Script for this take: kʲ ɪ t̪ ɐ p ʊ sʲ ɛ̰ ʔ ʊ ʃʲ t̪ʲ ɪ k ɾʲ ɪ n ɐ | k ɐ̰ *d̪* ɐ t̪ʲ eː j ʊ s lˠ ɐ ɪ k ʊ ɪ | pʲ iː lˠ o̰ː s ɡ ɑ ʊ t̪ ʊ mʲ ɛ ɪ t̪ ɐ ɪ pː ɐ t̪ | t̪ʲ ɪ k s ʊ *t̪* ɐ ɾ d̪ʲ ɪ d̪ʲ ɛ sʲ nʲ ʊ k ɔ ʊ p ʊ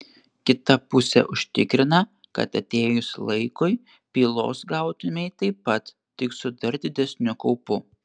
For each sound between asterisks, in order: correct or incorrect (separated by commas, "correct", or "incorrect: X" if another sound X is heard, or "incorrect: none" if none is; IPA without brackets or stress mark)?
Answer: incorrect: t̪, incorrect: d̪